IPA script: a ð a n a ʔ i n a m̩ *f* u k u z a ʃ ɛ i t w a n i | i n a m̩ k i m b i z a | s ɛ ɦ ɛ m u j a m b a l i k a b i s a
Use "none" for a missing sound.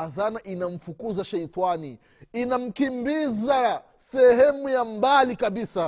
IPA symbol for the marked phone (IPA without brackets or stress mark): f